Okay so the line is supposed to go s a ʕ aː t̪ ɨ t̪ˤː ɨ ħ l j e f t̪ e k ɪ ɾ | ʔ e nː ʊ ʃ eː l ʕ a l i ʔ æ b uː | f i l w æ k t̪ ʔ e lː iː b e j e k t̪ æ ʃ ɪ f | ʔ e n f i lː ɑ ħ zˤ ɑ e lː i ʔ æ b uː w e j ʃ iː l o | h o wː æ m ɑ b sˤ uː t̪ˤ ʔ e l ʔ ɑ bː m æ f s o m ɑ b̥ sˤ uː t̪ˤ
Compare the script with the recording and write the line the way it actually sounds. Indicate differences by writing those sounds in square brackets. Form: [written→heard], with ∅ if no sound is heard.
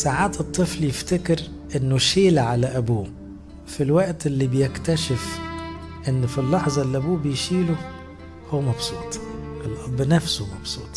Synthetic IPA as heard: s a ʕ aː t̪ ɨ t̪ˤː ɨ [ħ→f] l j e f t̪ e k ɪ ɾ | ʔ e nː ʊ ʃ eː l ʕ a l [i→æ] ʔ æ b uː | f i l w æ [k→ʔ] t̪ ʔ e lː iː b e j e k t̪ æ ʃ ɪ f | ʔ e [n→nː] f i lː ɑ ħ zˤ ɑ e lː i ʔ æ b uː [w→b] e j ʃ iː l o | h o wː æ m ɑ b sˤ uː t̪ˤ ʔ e l ʔ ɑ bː [m→n] æ f s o m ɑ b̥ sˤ uː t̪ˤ